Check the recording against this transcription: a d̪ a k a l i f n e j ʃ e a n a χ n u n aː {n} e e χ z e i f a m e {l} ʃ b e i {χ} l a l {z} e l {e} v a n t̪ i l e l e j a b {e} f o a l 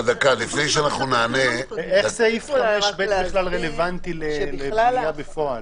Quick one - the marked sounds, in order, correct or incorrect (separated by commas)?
correct, incorrect, correct, incorrect, correct, correct